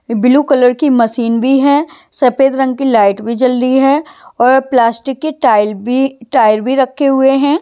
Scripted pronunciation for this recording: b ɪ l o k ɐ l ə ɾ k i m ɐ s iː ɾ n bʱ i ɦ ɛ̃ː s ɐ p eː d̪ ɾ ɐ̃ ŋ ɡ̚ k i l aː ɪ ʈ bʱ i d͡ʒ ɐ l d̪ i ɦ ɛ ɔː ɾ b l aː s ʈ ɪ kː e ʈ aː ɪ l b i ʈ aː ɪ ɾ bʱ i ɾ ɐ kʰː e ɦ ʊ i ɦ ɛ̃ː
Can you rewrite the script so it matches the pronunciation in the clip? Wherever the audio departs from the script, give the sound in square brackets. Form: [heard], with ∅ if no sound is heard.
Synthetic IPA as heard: b ɪ l [u] k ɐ l ə ɾ k i m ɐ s iː [∅] n bʱ i ɦ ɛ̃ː s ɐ p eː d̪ ɾ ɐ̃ ŋ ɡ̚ k i l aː ɪ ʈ bʱ i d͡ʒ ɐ l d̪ i ɦ ɛ ɔː ɾ [p] l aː s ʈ ɪ kː e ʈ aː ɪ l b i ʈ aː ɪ ɾ bʱ i ɾ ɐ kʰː e ɦ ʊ [e] ɦ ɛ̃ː

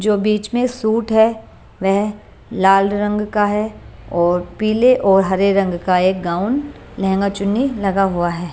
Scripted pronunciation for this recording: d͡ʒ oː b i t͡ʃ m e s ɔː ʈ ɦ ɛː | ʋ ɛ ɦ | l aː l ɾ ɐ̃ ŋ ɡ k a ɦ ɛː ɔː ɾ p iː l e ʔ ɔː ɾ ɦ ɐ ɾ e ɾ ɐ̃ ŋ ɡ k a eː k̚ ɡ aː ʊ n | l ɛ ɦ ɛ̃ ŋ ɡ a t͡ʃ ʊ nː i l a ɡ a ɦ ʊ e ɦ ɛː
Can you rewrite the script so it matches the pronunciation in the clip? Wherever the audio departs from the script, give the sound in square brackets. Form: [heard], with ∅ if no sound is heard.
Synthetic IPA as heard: d͡ʒ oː b [iː] t͡ʃ m [ẽ] s [uː] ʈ ɦ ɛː | ʋ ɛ ɦ | l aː l ɾ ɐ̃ ŋ ɡ k a ɦ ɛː ɔː ɾ p iː l e ʔ ɔː ɾ ɦ ɐ ɾ e ɾ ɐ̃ ŋ ɡ k a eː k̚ ɡ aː ʊ n | l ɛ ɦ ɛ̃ ŋ ɡ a t͡ʃ ʊ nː i l [ɐ] ɡ a ɦ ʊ [a] ɦ ɛː

